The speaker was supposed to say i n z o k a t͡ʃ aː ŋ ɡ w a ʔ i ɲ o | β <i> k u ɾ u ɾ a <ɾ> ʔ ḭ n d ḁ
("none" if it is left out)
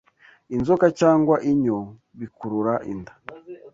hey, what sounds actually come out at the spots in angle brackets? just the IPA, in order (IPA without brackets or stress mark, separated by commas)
i, none